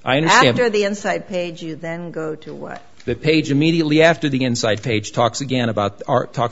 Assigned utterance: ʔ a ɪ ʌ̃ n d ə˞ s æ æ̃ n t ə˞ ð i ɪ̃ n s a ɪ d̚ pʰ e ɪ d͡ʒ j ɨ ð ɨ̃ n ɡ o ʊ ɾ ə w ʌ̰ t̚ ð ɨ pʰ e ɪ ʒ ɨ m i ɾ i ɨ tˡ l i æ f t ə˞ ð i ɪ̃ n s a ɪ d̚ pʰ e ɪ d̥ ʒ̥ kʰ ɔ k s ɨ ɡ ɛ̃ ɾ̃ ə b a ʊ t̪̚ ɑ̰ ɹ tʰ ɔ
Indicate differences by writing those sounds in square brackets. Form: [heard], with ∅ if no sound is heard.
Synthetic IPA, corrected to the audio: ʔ a ɪ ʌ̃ n d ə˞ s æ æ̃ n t ə˞ ð i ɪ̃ n s a ɪ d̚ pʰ e ɪ d͡ʒ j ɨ ð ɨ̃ n ɡ o ʊ ɾ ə w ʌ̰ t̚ ð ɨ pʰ e ɪ [d͡ʒ] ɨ m i ɾ i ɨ tˡ l i æ f t ə˞ ð i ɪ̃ n s a ɪ d̚ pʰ e ɪ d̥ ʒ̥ [tʰ] ɔ k s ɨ ɡ ɛ̃ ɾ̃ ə b a ʊ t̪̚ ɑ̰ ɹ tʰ ɔ